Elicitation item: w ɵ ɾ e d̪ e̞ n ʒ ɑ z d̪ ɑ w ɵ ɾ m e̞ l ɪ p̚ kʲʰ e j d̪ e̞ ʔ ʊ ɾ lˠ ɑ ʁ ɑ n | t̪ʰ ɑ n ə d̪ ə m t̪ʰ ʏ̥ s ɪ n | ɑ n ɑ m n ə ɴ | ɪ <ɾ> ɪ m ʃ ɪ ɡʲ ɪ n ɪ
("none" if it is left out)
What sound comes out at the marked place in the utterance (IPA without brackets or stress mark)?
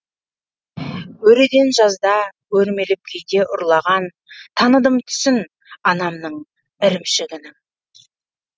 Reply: ɾ